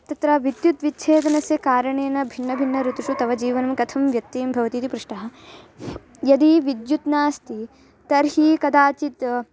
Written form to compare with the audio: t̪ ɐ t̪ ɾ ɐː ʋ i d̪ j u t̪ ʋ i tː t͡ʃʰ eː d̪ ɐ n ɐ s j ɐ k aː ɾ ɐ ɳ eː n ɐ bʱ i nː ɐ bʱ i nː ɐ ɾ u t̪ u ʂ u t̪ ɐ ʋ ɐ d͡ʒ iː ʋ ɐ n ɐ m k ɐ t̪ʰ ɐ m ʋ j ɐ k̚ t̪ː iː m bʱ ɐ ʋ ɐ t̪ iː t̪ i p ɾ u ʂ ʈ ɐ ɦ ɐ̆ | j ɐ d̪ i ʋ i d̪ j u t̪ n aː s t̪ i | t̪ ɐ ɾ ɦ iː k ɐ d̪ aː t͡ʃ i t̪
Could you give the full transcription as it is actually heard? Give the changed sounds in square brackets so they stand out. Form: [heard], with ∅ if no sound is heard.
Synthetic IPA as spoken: t̪ ɐ t̪ ɾ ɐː ʋ i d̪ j u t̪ ʋ i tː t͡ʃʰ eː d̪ ɐ n ɐ s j ɐ k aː ɾ ɐ ɳ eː n ɐ bʱ i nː ɐ bʱ i nː ɐ ɾ u t̪ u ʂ u t̪ ɐ ʋ ɐ d͡ʒ iː ʋ ɐ n ɐ m k ɐ t̪ʰ ɐ m ʋ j ɐ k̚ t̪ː iː m bʱ ɐ ʋ ɐ t̪ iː t̪ i p ɾ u ʂ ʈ ɐ ɦ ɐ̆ | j ɐ d̪ i ʋ i d̪ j u t̪ n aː s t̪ i | t̪ ɐ ɾ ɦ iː k ɐ d̪ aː t͡ʃ i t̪